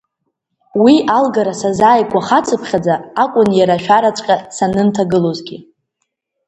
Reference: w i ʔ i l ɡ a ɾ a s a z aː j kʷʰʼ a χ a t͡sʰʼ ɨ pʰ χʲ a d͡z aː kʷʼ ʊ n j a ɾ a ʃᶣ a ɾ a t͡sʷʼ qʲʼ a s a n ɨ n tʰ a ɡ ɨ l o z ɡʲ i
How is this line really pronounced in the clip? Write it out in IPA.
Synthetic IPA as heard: w i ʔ a l ɡ a ɾ a s a z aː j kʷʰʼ a χ a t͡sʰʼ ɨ pʰ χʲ a d͡z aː kʷʼ ʊ n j a ɾ a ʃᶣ a ɾ a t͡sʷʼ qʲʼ a s a n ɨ n tʰ a ɡ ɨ l o z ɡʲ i